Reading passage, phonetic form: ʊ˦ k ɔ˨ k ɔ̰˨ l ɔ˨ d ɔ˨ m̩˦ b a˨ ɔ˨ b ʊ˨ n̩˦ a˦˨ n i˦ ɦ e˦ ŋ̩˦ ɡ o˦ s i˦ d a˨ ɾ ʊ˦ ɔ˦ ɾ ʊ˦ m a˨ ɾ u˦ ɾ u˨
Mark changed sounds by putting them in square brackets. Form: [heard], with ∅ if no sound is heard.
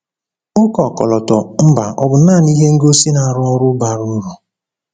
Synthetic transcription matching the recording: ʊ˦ k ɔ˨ k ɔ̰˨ l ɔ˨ [t] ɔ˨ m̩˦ b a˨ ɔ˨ b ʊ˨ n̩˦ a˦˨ n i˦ ɦ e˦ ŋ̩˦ ɡ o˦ s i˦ [n] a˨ ɾ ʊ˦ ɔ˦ ɾ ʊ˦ [b] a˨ ɾ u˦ ɾ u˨

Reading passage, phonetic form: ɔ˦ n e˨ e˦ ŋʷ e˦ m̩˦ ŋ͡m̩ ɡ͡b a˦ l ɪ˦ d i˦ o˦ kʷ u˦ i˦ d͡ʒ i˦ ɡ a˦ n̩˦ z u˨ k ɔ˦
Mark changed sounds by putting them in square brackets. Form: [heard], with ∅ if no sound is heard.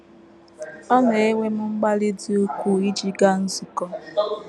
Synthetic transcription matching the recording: ɔ˦ n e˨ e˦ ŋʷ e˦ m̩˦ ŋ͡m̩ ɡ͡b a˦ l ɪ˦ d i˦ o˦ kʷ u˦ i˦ d͡ʒ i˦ ɡ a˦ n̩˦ z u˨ k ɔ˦

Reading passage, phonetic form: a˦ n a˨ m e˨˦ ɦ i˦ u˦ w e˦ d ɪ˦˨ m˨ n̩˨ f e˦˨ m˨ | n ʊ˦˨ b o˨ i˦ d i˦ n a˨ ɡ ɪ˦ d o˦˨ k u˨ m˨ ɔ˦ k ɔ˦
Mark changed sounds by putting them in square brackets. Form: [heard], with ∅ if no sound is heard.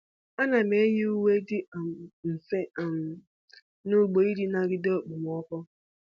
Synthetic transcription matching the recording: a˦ n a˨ m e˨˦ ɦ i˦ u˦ w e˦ d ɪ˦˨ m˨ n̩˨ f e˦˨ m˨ | n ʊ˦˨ [ɡ͡b] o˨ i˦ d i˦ n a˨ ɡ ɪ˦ d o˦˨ [k͡p] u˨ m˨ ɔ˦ k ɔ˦

